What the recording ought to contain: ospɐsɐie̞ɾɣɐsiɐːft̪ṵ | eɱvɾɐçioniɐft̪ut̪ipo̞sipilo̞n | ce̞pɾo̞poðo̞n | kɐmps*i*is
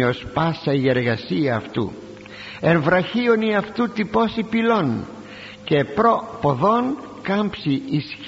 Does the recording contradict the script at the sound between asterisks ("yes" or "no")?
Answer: no